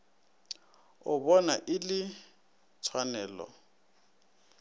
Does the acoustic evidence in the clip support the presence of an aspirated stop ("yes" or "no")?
yes